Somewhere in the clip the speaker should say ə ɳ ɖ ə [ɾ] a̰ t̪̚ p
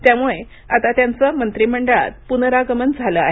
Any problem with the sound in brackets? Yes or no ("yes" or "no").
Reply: yes